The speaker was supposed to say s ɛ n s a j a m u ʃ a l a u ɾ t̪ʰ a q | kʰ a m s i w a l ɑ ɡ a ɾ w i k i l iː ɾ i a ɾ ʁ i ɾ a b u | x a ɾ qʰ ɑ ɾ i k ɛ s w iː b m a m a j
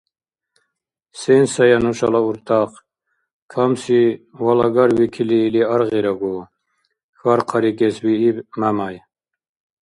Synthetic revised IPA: s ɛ n s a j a n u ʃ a l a u ɾ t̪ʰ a q | kʰ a m s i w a l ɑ ɡ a ɾ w i kʰ i l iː l i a ɾ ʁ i ɾ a ɡ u | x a ɾ qʰ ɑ ɾ i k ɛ s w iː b m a m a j